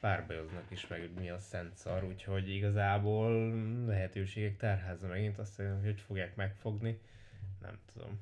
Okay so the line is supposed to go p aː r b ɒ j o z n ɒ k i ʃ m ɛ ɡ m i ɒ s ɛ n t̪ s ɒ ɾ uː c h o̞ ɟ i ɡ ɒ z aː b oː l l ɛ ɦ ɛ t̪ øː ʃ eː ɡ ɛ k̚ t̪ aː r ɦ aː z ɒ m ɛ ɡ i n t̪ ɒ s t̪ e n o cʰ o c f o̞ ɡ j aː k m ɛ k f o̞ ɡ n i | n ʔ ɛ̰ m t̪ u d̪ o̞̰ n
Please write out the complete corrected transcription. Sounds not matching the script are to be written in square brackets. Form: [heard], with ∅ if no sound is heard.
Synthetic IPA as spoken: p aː r b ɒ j o z n ɒ k i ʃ m ɛ ɡ m i ɒ s ɛ n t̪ s ɒ ɾ uː c h o̞ ɟ i ɡ ɒ z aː b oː l l ɛ ɦ ɛ t̪ øː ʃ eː ɡ ɛ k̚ t̪ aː r ɦ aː z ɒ m ɛ ɡ i n t̪ ɒ s t̪ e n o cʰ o c f o̞ ɡ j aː k m ɛ k f o̞ ɡ n i | n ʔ ɛ̰ m t̪ u d̪ o̞̰ [m]